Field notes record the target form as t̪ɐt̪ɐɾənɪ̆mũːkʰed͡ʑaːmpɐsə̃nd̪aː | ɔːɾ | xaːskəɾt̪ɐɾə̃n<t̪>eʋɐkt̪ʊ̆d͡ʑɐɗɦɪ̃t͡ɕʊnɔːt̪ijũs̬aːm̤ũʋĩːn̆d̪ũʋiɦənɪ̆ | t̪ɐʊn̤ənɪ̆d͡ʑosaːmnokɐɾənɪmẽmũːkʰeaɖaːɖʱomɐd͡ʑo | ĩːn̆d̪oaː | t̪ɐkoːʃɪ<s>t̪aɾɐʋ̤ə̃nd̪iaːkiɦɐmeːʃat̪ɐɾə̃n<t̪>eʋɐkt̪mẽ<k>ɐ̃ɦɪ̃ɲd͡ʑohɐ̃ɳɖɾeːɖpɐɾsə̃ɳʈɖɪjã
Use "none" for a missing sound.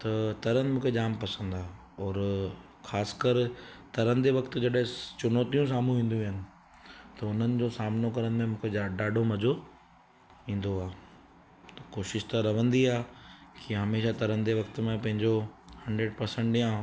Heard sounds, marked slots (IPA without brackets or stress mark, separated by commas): d̪, ʃ, d̪, p